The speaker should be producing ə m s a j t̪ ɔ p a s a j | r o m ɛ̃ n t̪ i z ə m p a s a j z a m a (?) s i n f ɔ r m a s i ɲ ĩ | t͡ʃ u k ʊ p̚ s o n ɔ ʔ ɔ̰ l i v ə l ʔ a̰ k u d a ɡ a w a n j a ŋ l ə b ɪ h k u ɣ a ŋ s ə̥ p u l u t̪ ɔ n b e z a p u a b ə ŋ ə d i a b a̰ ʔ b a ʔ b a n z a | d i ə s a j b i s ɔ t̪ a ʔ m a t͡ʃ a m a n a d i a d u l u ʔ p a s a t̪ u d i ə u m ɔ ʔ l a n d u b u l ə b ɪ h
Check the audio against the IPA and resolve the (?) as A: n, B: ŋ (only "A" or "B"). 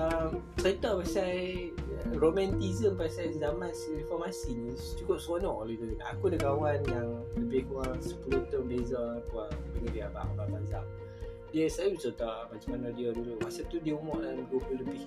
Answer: A